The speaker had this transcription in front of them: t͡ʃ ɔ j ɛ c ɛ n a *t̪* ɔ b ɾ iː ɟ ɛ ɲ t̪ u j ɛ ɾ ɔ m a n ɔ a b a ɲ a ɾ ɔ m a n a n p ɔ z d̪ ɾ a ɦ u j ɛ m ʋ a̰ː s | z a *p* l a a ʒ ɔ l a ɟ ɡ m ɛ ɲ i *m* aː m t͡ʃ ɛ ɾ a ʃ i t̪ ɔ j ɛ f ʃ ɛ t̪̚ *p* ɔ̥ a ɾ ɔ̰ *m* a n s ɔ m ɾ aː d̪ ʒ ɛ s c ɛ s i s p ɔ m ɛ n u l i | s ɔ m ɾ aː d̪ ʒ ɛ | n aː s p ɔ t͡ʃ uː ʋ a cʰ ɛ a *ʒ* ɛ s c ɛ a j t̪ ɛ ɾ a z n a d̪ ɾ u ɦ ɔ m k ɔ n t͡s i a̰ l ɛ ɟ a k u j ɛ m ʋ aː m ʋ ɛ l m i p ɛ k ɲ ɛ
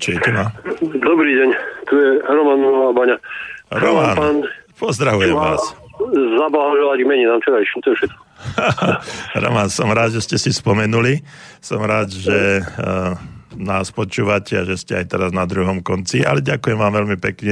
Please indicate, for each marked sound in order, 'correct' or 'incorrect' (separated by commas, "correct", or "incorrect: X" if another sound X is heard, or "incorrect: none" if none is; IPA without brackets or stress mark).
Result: incorrect: d̪, incorrect: b, incorrect: n, incorrect: k, correct, correct